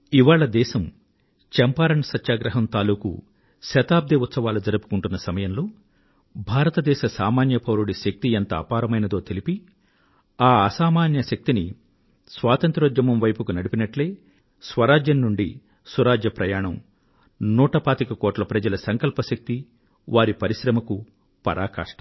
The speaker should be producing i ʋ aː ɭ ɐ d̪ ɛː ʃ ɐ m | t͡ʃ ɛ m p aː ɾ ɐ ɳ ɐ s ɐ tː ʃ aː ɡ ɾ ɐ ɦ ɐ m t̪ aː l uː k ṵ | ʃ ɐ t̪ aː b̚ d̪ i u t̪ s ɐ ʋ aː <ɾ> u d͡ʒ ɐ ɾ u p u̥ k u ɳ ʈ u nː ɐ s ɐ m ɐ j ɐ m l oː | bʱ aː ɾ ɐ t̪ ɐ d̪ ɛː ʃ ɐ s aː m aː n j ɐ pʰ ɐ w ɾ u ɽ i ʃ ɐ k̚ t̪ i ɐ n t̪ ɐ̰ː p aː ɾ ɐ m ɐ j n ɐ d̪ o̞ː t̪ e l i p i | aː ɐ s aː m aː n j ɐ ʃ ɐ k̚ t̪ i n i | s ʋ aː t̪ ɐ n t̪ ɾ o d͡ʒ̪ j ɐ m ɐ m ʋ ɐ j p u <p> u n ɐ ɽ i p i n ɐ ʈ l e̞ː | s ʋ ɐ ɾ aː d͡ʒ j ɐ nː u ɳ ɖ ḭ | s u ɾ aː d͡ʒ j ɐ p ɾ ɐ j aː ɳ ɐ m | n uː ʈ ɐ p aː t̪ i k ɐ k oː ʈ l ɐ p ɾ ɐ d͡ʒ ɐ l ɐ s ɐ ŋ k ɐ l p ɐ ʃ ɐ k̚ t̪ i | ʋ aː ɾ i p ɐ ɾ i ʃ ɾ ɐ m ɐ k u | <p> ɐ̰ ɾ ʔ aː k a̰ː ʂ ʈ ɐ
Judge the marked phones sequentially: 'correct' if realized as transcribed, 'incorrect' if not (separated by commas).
incorrect, incorrect, correct